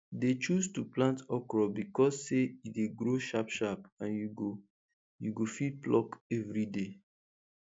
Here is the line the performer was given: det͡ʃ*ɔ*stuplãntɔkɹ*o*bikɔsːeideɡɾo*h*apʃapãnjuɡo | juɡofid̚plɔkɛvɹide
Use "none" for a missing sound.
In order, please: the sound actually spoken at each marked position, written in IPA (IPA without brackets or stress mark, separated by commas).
u, ɔ, ʃ